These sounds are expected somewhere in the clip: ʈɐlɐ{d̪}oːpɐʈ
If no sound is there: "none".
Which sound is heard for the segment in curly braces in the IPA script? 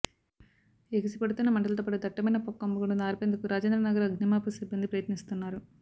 t̪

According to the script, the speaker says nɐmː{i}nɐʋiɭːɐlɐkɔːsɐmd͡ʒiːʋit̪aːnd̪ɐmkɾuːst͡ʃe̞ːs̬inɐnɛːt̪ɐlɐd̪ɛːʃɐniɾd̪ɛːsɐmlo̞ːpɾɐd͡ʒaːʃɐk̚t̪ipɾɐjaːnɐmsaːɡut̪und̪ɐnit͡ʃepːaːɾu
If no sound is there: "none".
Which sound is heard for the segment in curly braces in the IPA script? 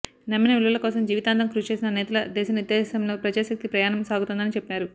i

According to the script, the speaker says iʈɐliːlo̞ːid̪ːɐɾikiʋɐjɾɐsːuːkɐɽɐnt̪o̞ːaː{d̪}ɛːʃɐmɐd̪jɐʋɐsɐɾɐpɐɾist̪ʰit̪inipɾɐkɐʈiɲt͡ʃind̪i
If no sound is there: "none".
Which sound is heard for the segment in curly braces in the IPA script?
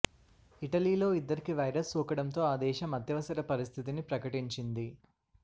d̪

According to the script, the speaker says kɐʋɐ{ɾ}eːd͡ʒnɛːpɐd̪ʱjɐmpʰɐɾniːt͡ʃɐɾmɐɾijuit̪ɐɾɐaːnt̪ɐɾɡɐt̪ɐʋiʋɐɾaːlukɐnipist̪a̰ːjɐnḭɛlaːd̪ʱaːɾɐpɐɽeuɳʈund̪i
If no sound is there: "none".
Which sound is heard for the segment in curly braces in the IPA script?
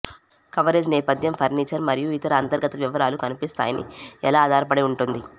ɾ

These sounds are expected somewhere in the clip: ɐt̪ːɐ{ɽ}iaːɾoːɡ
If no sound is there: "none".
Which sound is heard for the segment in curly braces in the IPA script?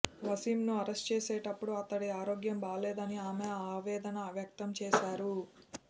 ɽ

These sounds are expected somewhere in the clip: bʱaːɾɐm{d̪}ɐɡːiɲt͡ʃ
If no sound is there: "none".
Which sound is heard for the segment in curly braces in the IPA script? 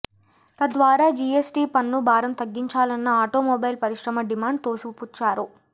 t̪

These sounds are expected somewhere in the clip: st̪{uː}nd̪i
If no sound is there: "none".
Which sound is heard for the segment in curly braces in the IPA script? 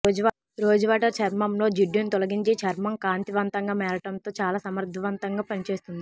u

